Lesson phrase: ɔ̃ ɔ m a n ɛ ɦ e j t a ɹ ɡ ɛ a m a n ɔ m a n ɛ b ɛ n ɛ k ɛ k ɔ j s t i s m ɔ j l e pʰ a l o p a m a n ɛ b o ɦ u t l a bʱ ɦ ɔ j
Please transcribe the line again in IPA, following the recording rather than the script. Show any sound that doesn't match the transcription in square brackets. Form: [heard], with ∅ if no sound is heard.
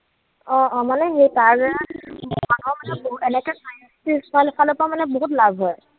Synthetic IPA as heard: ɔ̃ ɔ m a n ɛ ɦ e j t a ɹ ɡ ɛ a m a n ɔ m a n ɛ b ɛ n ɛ k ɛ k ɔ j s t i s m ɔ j l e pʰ a l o p a m a n ɛ b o ɦ u t l a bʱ ɦ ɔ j